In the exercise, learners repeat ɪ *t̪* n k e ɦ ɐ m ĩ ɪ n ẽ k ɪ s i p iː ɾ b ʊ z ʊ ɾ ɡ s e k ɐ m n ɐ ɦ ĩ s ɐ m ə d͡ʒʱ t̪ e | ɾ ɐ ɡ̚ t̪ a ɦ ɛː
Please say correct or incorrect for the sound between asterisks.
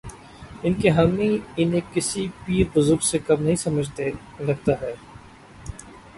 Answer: incorrect